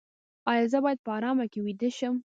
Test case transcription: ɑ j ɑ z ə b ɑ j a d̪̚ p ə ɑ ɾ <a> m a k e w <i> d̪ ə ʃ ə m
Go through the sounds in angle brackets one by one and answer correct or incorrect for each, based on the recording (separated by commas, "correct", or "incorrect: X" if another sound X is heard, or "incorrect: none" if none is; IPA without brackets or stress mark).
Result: incorrect: ɑ, correct